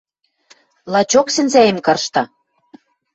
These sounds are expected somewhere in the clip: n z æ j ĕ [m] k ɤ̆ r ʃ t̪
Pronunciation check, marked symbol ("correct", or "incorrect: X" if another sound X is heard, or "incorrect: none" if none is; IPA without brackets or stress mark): correct